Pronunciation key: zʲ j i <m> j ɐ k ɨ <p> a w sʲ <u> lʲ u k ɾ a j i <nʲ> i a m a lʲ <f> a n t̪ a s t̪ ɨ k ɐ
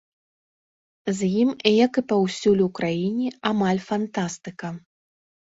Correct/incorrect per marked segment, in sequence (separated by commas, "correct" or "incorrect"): correct, correct, correct, correct, correct